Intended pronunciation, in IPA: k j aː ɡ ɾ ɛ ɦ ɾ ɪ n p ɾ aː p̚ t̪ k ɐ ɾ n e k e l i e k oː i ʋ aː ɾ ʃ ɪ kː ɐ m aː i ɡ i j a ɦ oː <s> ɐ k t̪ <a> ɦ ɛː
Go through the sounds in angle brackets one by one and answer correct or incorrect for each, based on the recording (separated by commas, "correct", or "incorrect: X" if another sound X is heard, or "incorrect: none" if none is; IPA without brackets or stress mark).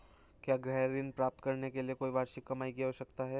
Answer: incorrect: ʃ, correct